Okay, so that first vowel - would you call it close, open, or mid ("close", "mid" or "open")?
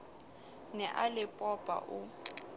mid